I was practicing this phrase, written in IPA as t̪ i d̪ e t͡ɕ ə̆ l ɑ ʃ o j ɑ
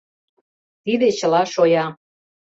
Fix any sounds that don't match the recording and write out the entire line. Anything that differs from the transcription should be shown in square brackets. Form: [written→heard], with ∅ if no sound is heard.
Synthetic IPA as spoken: t̪ i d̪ e t͡ɕ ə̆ l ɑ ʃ o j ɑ